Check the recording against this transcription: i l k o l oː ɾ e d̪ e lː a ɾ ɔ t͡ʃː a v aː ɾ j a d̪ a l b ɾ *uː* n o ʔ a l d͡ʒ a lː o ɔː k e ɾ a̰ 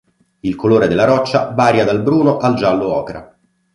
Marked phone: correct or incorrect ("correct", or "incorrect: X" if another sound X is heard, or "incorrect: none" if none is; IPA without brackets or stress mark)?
correct